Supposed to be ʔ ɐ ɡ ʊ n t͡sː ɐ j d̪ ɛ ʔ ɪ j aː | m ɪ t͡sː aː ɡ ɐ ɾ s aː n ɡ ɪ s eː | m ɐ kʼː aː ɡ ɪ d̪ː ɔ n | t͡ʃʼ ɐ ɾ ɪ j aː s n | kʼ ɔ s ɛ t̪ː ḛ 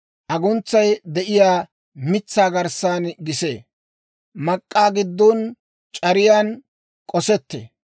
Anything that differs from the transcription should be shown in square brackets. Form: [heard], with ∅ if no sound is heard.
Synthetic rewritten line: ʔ ɐ ɡ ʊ n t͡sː ɐ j d̪ ɛ ʔ ɪ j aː | m ɪ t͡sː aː ɡ ɐ ɾ s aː n ɡ ɪ s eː | m ɐ kʼː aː ɡ ɪ d̪ː ɔ n | t͡ʃʼ ɐ ɾ ɪ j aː [∅] n | kʼ ɔ s ɛ t̪ː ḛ

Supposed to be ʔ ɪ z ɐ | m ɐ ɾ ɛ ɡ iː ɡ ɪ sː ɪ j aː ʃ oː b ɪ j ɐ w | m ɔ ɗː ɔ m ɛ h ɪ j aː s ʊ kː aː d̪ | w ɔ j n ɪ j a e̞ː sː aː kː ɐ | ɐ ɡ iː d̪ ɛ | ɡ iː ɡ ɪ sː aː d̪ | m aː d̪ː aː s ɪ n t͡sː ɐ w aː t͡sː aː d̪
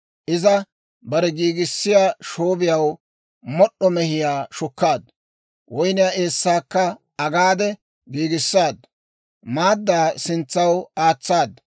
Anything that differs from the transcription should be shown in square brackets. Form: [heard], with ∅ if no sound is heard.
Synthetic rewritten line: ʔ ɪ z ɐ | [b] ɐ ɾ ɛ ɡ iː ɡ ɪ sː ɪ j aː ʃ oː b ɪ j ɐ w | m ɔ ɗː ɔ m ɛ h ɪ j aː [ʃ] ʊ kː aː d̪ | w ɔ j n ɪ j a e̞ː sː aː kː ɐ | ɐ ɡ [aː] d̪ ɛ | ɡ iː ɡ ɪ sː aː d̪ | m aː d̪ː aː s ɪ n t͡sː ɐ w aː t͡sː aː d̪

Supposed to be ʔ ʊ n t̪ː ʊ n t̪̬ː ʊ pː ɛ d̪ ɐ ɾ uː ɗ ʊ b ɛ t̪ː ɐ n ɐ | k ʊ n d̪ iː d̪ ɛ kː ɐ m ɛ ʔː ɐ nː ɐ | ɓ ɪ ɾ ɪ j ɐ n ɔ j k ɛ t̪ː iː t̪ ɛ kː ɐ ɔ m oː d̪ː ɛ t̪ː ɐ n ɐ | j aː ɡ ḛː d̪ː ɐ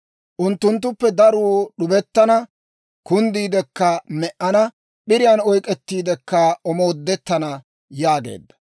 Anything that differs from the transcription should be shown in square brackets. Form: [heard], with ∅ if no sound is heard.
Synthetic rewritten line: ʔ ʊ n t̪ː ʊ n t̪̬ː ʊ pː ɛ d̪ ɐ ɾ uː ɗ ʊ b ɛ t̪ː ɐ n ɐ | k ʊ n d̪ iː d̪ ɛ kː ɐ m ɛ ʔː ɐ [n] ɐ | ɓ ɪ ɾ ɪ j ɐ n ɔ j [kʼ] ɛ t̪ː iː [d̪] ɛ kː ɐ ɔ m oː d̪ː ɛ t̪ː ɐ n ɐ | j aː ɡ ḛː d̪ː ɐ

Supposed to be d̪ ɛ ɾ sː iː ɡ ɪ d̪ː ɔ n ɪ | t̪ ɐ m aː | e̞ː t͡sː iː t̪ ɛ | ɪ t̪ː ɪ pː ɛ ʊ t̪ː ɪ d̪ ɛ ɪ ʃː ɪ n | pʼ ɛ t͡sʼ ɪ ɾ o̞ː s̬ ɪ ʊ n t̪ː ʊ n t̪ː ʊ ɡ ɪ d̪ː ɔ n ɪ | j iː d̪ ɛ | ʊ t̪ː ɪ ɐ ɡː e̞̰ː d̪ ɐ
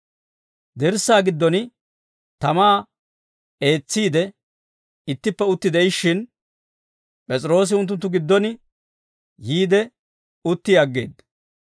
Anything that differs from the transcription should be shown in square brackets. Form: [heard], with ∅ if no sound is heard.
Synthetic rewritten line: d̪ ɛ ɾ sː [aː] ɡ ɪ d̪ː ɔ n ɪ | t̪ ɐ m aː | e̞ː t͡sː iː [d̪] ɛ | ɪ t̪ː ɪ pː ɛ ʊ t̪ː ɪ d̪ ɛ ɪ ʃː ɪ n | pʼ ɛ t͡sʼ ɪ ɾ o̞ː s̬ ɪ ʊ n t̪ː ʊ n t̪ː ʊ ɡ ɪ d̪ː ɔ n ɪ | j iː d̪ ɛ | ʊ t̪ː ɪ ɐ ɡː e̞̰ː d̪ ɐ

